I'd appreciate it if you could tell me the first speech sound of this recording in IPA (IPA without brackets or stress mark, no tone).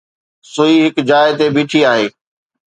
s